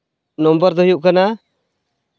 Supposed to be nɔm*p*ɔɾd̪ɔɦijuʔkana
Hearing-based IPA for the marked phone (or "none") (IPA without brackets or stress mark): b